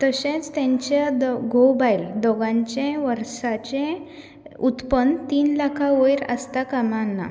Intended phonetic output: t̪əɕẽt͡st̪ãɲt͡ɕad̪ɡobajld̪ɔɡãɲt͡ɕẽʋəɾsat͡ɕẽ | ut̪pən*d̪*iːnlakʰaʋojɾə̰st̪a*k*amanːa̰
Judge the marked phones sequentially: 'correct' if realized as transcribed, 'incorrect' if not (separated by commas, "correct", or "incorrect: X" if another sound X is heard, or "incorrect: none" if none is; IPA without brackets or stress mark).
incorrect: t̪, correct